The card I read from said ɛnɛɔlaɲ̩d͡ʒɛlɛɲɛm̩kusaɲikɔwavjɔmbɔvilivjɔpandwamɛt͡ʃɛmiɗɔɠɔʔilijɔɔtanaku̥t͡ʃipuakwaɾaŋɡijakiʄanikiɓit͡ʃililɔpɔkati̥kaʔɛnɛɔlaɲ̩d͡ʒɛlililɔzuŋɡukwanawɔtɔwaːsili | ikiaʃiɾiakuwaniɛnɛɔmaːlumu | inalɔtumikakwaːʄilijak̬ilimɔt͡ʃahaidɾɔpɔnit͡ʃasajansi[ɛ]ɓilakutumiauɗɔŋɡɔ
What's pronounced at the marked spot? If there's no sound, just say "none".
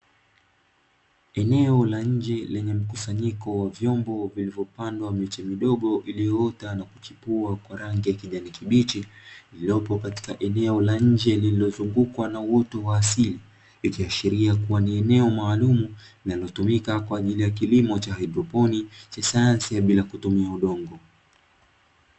a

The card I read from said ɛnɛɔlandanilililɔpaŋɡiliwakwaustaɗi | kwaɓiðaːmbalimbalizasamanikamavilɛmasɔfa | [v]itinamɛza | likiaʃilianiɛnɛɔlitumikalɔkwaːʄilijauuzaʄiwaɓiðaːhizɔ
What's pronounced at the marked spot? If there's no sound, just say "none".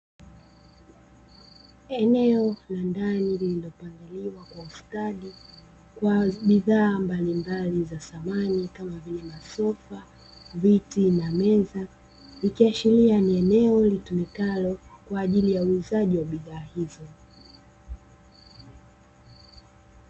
v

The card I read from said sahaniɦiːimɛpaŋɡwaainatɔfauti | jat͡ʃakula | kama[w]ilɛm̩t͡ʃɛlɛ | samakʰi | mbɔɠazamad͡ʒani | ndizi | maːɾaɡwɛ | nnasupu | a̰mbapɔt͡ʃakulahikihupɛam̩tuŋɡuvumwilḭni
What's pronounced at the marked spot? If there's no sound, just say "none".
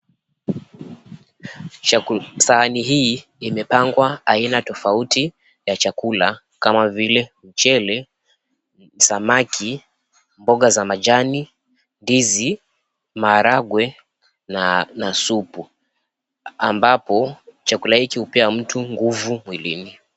v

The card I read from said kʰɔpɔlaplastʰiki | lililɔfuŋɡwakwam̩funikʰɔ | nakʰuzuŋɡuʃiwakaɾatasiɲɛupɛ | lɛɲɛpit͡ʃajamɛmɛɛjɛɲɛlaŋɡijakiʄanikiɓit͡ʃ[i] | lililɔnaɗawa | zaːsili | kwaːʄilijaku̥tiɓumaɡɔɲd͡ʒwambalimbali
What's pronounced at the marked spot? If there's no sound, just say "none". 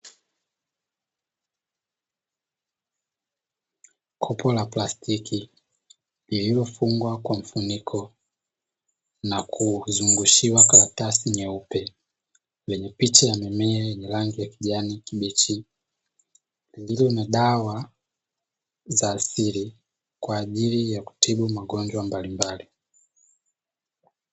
i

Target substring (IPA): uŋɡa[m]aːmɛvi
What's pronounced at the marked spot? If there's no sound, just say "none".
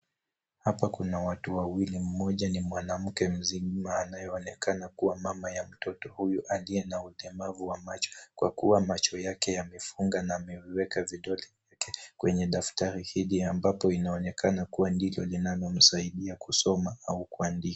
n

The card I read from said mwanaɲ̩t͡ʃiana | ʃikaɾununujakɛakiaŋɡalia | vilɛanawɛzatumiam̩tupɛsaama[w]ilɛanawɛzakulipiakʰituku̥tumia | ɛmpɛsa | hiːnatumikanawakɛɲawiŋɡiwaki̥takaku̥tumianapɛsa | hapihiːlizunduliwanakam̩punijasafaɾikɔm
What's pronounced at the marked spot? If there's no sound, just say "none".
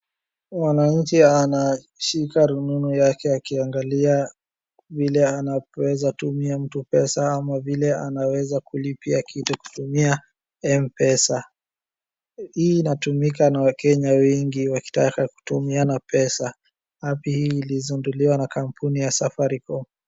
v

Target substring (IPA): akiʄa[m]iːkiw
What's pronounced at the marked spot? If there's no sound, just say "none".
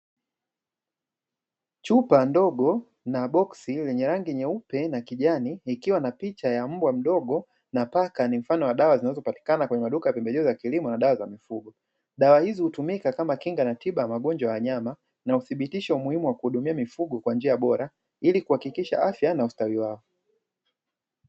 n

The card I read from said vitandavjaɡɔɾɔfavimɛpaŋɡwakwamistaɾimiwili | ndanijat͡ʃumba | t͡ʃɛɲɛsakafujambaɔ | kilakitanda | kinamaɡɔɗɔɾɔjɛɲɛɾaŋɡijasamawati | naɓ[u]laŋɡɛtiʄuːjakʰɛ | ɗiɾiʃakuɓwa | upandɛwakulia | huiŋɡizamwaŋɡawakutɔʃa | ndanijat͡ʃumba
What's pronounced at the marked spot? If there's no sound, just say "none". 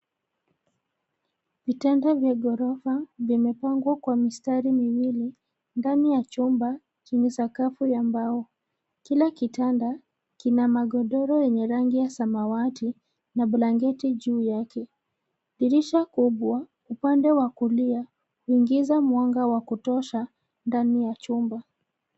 u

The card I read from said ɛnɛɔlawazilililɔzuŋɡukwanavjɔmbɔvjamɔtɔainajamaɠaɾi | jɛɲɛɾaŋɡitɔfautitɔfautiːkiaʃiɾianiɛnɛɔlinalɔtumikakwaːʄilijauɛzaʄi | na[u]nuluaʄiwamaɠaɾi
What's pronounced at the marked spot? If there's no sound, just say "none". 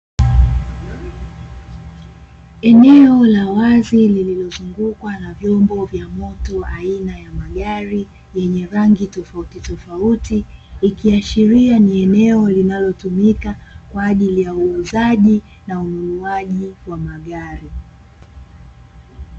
u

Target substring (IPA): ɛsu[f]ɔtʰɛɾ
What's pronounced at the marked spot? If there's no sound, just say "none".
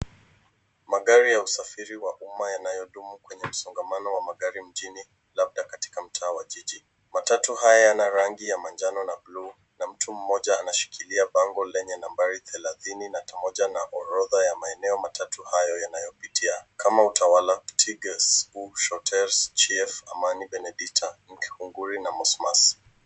ʃ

